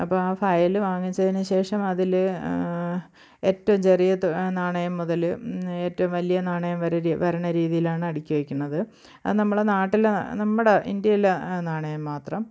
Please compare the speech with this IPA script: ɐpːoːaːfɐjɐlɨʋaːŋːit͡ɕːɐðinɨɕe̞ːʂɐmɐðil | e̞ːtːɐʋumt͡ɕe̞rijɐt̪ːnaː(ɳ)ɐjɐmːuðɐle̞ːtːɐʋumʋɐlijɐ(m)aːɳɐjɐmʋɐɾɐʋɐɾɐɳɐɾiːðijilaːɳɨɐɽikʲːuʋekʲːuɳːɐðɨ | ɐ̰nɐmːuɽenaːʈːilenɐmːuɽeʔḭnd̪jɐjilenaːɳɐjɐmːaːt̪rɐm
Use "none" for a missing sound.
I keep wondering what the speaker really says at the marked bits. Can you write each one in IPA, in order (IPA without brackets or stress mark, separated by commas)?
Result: ɳ, n